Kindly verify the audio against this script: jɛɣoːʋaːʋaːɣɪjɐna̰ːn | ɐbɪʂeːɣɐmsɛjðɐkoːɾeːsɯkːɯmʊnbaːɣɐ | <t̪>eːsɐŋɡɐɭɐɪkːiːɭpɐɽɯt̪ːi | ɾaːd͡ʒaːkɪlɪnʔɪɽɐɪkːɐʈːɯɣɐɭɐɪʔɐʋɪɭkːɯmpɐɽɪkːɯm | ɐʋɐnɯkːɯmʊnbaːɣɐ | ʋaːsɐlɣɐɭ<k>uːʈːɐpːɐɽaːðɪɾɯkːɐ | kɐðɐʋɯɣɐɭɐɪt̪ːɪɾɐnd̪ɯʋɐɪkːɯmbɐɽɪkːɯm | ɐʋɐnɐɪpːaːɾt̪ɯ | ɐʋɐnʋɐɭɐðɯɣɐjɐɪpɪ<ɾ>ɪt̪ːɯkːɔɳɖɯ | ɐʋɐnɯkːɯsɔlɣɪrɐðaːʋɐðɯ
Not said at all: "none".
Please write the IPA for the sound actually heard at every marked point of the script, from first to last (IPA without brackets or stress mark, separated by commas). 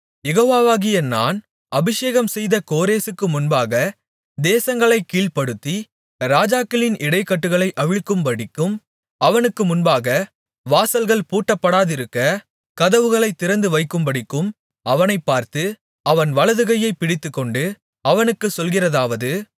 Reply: d̪, p, ɽ